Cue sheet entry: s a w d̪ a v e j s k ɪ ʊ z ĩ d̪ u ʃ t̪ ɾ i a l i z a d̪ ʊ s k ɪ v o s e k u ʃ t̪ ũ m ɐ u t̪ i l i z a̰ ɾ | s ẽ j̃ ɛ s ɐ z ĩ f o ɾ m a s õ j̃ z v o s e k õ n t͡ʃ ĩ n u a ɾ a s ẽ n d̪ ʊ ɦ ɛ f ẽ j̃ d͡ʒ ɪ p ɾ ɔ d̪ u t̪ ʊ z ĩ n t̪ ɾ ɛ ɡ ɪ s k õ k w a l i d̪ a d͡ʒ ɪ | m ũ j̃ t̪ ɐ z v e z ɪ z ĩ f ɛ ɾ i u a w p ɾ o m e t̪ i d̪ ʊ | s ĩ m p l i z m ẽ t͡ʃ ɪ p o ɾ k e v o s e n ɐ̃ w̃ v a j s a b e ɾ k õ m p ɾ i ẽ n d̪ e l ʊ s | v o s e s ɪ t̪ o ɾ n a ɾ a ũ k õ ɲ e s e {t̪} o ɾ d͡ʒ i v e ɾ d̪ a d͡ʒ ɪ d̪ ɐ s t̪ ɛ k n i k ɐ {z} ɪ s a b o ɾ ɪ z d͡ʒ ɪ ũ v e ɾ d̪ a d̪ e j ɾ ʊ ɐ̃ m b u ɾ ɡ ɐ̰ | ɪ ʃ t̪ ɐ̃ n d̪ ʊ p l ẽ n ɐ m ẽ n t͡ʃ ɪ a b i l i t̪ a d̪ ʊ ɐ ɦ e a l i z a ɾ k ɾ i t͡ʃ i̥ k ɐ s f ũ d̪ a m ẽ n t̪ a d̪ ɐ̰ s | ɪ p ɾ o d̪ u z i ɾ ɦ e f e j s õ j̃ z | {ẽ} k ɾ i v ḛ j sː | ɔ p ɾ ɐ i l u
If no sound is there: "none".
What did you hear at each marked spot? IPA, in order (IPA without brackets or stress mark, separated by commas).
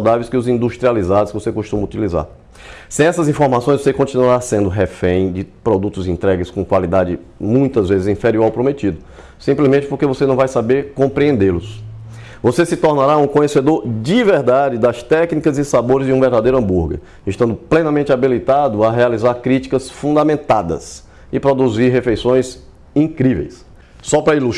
d̪, z, ĩ